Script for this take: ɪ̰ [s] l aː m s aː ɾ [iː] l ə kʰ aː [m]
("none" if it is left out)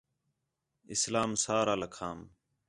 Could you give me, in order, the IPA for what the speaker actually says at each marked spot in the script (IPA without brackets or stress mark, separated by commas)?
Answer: s, aː, m